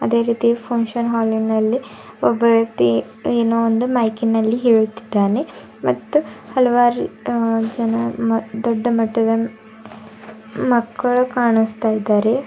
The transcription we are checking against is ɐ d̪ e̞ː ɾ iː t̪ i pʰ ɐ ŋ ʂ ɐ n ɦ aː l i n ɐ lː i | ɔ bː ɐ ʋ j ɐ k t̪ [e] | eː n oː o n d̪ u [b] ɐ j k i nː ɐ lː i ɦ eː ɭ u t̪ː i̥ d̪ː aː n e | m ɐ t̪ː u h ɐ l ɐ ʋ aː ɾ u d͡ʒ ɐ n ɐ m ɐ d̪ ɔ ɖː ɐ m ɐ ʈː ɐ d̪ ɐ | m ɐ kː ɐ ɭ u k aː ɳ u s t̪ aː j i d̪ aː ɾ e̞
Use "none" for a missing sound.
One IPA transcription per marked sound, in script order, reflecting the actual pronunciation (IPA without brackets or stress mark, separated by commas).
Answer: i, m